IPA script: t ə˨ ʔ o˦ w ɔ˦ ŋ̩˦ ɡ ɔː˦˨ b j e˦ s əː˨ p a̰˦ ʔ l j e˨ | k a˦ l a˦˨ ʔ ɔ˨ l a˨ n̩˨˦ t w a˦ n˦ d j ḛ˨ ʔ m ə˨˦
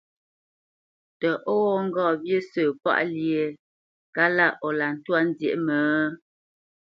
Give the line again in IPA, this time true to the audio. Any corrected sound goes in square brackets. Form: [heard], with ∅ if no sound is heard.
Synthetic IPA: t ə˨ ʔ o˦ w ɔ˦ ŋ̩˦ ɡ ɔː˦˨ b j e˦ s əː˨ p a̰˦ ʔ l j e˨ | k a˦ l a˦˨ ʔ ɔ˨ l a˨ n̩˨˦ t w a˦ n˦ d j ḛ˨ ʔ m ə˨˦